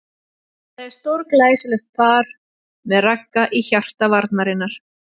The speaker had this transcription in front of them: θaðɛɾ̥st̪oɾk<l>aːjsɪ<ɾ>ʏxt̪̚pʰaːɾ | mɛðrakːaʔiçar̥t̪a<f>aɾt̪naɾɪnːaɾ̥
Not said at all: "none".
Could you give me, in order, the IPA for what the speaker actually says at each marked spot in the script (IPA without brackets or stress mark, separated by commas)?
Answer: l, l, v